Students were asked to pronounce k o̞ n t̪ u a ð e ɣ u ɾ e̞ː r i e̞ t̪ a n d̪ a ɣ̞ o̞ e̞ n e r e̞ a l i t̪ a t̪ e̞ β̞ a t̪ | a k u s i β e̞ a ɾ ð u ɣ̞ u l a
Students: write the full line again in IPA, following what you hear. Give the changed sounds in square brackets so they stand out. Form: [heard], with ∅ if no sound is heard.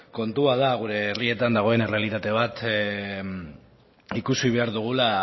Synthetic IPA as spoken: k o̞ n t̪ u a ð [a] ɣ u ɾ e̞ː r i e̞ t̪ a n d̪ a ɣ̞ o̞ e̞ n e r e̞ a l i t̪ a t̪ e̞ β̞ a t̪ | [i] k u s i β e̞ a ɾ ð u ɣ̞ u l a